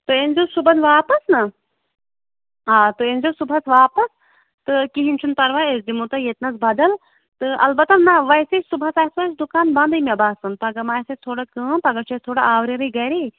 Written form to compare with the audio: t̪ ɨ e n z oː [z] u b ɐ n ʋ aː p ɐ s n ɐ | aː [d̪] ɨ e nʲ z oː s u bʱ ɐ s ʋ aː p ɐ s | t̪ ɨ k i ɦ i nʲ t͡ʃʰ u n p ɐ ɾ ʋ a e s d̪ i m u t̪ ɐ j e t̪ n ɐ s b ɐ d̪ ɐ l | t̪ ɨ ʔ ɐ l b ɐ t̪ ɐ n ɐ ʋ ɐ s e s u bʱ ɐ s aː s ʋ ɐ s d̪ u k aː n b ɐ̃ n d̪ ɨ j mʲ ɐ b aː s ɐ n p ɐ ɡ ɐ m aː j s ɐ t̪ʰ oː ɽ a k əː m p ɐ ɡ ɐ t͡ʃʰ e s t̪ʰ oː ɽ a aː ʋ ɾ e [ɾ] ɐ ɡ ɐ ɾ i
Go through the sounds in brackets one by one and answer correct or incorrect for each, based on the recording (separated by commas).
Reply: incorrect, incorrect, correct